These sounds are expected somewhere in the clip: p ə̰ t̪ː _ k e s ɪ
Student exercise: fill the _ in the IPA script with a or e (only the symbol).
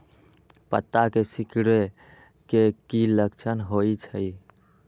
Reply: a